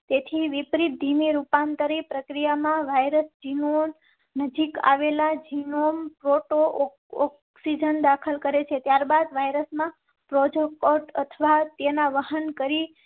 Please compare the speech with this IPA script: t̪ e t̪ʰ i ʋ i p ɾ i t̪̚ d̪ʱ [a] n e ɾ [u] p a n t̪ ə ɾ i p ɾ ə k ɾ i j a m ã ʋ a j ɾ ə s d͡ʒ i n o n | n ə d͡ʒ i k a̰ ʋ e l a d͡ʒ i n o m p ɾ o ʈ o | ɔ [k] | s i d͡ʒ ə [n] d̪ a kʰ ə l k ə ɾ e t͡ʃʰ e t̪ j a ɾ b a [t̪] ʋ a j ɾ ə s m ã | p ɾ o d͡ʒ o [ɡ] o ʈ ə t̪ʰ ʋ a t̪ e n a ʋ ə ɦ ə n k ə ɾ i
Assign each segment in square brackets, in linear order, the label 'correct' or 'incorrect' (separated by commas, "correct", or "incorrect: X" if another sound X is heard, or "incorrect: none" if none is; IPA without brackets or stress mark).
incorrect: i, correct, correct, correct, incorrect: d̪, incorrect: k